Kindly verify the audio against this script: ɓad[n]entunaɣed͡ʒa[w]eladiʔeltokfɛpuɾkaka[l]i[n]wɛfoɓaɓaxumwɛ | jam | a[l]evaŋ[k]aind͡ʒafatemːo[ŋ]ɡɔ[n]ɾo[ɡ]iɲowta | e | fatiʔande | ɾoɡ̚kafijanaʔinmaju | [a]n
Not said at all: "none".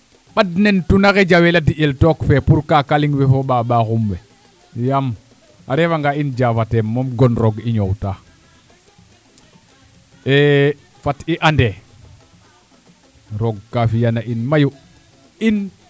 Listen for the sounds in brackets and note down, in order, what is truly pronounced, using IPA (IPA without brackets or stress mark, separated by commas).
n, w, l, ŋ, ɾ, ɡ, m, n, ɡ, i